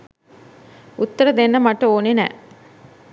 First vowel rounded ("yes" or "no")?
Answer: yes